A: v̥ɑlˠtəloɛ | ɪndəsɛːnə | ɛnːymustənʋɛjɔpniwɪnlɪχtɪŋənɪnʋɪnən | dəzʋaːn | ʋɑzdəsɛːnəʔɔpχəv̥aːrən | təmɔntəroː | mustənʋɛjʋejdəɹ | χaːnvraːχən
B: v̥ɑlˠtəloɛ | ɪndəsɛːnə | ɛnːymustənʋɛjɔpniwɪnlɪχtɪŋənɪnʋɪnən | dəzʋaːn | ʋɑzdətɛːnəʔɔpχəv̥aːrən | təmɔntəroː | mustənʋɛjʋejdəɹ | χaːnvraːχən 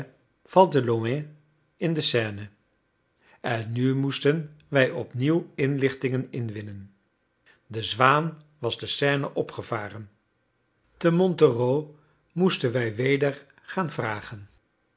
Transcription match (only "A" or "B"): A